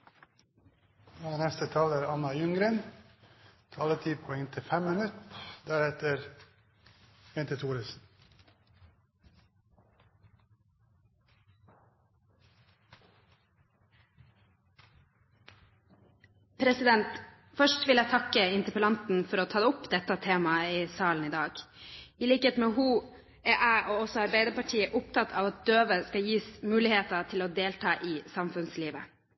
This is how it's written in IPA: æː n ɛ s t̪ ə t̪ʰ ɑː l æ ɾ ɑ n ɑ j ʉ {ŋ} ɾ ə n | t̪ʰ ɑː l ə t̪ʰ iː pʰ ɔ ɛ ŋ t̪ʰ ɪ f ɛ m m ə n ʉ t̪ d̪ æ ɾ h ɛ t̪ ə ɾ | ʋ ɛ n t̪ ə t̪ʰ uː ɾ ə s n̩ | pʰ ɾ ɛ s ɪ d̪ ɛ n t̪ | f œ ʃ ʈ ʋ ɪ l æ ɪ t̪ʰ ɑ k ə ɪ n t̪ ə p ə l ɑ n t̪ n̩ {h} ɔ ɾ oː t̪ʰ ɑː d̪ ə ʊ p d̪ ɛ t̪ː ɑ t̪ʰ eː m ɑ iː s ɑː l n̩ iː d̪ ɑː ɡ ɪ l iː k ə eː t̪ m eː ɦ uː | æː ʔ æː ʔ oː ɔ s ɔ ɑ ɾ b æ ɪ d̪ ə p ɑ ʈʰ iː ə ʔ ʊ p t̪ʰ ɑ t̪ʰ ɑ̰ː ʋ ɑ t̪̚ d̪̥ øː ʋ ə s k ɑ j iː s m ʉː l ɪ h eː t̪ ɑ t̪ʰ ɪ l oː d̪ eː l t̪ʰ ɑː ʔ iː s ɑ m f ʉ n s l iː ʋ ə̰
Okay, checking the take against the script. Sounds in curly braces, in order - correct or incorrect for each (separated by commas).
correct, incorrect